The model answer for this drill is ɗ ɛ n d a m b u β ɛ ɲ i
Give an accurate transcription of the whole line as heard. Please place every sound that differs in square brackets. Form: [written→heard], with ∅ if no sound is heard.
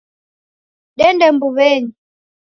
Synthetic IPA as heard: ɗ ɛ n d [a→ɛ] m b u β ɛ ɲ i